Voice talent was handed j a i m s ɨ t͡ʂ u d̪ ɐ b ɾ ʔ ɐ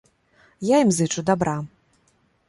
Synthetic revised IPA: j a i m z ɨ t͡ʂ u d̪ a b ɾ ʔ a